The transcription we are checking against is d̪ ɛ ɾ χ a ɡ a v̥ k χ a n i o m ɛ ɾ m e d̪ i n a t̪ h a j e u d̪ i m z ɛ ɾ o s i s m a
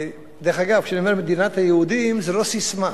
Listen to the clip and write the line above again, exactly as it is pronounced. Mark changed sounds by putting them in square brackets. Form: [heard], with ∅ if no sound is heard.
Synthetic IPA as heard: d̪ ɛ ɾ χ a ɡ a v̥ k [ʃ] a n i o m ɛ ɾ m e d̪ i n a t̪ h a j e u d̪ i m z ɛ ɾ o s i s m a